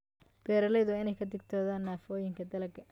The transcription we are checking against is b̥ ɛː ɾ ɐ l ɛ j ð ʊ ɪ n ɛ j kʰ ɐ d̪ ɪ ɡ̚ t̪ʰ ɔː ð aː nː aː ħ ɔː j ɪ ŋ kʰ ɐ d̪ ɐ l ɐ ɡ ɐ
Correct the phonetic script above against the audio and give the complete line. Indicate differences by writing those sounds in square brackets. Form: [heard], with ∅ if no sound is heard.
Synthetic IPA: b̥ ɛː ɾ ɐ l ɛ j ð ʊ ɪ n ɛ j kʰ ɐ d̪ ɪ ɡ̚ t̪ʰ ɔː ð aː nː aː [f] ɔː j ɪ ŋ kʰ ɐ d̪ ɐ l ɐ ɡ ɐ